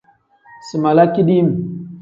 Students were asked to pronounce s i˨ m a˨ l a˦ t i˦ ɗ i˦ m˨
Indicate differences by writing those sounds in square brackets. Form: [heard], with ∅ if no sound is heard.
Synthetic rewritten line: s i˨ m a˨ l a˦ [k] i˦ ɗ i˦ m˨

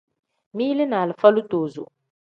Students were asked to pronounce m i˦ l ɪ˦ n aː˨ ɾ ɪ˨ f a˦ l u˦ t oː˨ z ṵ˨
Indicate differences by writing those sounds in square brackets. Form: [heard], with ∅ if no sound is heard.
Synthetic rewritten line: m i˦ l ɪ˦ n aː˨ [l] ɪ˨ f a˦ l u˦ t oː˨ z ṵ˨

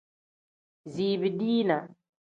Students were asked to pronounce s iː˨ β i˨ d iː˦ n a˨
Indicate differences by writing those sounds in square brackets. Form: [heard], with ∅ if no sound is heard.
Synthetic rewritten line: [z] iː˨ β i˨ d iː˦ n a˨

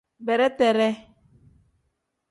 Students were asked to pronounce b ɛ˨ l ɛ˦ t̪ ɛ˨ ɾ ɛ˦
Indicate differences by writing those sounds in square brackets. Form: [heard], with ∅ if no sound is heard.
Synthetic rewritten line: b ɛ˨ [ɾ] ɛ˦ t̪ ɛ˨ ɾ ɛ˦

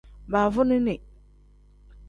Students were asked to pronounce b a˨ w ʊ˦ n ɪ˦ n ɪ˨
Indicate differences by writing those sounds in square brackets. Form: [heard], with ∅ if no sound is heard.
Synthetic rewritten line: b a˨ [v] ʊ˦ n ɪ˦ n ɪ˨

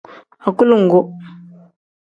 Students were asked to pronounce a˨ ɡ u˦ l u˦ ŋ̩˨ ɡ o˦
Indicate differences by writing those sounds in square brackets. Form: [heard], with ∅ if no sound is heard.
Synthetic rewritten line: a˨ [k] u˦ l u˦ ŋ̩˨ ɡ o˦

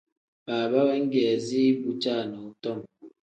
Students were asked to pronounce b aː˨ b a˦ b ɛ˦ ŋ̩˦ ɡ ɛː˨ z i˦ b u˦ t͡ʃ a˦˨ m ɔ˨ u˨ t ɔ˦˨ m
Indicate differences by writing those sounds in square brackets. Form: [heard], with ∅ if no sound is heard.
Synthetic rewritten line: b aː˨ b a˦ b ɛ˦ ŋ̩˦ ɡ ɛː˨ z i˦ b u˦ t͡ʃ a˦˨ [n] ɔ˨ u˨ t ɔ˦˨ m

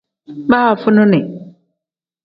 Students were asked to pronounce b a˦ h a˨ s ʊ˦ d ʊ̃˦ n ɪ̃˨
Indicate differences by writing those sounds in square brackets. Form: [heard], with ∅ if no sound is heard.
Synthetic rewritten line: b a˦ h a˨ [f] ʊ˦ [n] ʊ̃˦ n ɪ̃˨

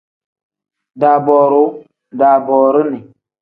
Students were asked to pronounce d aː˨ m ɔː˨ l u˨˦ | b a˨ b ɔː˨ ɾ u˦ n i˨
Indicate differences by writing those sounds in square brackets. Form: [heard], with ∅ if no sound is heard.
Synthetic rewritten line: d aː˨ [b] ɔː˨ [ɾ] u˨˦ | [d] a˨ b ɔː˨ ɾ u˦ n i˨

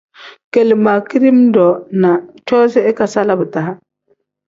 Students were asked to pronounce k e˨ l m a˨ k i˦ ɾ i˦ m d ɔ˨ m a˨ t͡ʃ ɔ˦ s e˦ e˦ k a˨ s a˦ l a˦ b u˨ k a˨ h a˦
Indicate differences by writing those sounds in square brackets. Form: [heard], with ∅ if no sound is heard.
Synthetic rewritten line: k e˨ l m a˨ k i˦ ɾ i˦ m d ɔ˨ [n] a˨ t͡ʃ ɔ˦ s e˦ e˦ k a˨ s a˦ l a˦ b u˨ [t] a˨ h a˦

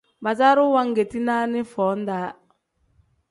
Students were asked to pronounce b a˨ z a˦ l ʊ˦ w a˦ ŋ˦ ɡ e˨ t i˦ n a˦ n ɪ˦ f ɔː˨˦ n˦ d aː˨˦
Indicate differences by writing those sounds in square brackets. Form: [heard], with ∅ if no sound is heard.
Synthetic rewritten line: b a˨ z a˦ [ɾ] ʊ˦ w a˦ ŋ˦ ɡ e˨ t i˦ n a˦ n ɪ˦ f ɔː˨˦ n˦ d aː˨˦

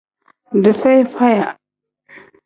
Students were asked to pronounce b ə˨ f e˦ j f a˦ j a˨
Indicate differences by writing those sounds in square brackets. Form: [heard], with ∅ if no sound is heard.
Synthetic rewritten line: [d] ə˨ f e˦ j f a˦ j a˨

